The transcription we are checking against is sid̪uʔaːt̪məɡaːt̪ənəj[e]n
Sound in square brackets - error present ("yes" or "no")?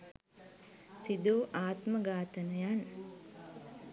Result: yes